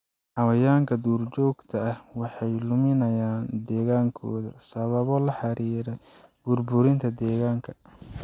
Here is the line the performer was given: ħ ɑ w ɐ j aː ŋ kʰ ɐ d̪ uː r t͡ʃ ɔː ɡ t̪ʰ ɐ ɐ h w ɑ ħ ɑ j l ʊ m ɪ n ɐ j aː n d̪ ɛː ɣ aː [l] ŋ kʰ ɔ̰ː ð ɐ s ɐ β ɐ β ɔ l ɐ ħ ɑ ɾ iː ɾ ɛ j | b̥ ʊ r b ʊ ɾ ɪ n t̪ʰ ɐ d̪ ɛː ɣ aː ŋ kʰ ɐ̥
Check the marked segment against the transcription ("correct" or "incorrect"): incorrect